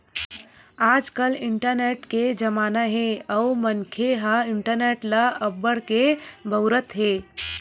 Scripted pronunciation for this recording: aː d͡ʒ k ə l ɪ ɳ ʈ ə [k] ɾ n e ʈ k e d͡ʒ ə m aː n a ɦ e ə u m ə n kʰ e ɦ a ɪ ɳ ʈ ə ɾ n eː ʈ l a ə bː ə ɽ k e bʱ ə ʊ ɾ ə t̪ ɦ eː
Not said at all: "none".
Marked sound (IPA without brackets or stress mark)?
none